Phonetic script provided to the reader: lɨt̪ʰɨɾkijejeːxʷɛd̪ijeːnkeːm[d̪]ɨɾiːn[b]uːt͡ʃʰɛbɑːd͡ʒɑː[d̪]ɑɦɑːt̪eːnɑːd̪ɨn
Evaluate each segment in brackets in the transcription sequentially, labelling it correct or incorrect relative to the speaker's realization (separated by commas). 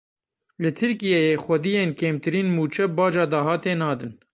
incorrect, incorrect, correct